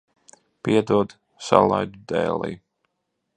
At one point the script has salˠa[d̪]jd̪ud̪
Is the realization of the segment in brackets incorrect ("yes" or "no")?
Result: yes